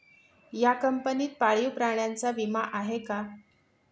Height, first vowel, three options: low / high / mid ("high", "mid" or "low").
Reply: low